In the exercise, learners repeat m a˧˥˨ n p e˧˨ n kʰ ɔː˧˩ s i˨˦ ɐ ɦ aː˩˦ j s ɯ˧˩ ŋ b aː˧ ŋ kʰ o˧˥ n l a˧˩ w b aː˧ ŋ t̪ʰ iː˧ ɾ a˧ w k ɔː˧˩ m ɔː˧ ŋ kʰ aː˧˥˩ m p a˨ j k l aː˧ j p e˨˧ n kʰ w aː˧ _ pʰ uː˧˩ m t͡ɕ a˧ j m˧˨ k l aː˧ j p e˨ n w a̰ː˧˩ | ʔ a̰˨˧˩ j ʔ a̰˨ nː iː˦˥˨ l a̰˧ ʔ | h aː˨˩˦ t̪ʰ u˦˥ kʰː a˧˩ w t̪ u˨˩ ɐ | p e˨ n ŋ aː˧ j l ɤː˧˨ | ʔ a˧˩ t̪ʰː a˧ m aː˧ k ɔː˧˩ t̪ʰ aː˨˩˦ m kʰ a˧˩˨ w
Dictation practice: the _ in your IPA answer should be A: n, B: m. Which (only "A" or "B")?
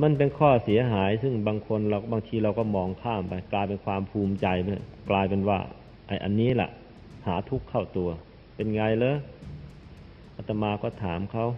B